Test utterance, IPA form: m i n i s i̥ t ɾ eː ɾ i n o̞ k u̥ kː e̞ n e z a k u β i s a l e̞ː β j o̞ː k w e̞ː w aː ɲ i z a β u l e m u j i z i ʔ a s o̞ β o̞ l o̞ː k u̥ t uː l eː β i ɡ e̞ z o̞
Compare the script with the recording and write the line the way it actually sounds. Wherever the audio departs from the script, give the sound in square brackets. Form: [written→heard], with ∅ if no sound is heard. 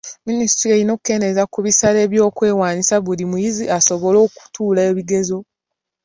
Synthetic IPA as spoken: m i n i s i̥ t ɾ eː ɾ i n o̞ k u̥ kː e̞ n e z a k u β i s a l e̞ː β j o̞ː k w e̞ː w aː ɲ i [z→s] a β u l [e→i] m u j i z i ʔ a s o̞ β o̞ l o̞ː k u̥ t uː l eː β i ɡ e̞ z o̞

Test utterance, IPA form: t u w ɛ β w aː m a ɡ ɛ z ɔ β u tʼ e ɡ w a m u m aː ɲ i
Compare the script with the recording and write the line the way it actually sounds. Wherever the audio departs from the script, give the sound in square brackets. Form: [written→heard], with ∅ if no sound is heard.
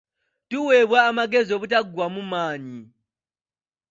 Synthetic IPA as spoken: t u w ɛ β w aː m a ɡ ɛ z ɔ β u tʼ [e→a] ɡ w a m u m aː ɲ i

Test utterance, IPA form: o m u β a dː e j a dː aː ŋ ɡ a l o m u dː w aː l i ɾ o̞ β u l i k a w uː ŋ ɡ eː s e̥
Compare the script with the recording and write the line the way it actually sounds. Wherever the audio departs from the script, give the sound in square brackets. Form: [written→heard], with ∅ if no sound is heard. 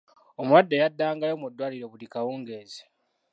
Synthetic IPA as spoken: o m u [β→w] a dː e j a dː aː ŋ ɡ a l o m u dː w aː l i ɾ o̞ β u l i k a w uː ŋ ɡ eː [s→z] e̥

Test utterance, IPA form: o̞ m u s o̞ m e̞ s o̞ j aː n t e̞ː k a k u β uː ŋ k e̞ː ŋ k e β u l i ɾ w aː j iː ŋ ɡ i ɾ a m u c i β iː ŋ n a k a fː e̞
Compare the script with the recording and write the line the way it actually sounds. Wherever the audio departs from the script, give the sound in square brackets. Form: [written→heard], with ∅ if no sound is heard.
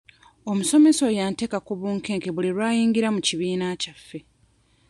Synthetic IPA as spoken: o̞ m u s o̞ m e̞ s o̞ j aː n t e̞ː k a k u β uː ŋ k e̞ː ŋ k e β u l i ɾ w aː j iː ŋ ɡ i ɾ a m u c i β iː [ŋ→∅] n a [k→c] a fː e̞

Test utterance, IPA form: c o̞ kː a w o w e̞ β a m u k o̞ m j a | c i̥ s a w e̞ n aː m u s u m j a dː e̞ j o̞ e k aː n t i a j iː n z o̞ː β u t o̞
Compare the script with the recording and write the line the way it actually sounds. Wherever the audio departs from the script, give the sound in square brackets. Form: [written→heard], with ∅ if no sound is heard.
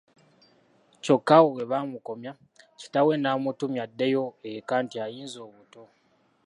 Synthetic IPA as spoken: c o̞ kː a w o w e̞ β a m u k o̞ m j a | c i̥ [s→t] a w e̞ n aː m u [s→t] u m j a dː e̞ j o̞ e k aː n t i a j iː n z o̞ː β u t o̞

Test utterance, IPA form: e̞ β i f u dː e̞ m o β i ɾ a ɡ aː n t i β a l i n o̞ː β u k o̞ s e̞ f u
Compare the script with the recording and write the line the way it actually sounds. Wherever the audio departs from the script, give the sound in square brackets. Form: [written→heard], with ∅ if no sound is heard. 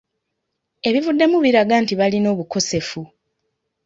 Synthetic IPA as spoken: e̞ β i [f→v] u dː e̞ m [o→u] β i ɾ a ɡ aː n t i β a l i n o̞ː β u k o̞ s e̞ f u

